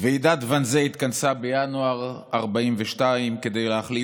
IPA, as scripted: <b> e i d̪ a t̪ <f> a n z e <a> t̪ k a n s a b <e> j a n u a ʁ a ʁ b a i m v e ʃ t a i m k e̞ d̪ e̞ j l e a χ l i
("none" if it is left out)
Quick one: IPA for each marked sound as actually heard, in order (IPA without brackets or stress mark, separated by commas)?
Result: v, v, i, e